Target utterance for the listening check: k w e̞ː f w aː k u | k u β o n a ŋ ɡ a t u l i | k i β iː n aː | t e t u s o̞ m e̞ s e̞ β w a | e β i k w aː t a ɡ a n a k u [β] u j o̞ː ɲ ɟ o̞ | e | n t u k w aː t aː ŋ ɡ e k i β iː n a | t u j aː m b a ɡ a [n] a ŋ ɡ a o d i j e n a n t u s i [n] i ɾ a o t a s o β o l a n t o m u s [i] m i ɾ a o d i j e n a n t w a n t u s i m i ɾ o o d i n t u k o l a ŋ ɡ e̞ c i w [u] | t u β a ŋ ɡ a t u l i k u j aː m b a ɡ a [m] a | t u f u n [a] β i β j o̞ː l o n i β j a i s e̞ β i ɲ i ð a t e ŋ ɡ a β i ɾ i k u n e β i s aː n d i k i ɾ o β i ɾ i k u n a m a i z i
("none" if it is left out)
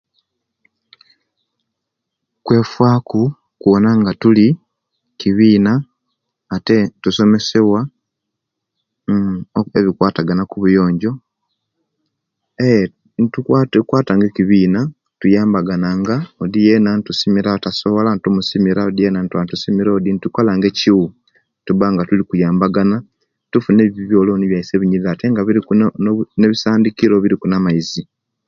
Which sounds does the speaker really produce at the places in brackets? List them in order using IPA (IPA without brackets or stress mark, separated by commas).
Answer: β, n, m, i, u, n, e